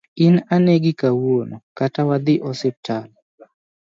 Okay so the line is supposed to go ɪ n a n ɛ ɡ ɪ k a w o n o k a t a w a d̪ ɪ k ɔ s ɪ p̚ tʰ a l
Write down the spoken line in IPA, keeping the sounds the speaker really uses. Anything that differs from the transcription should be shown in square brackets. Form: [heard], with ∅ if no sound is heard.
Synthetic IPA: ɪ n a n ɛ ɡ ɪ k a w o n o k a t a w a d̪ ɪ [ʔ] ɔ s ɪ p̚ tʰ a l